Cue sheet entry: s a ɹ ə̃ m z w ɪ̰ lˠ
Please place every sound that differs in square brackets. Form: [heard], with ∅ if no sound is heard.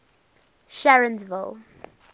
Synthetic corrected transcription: [ʃ] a ɹ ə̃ [n] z [v] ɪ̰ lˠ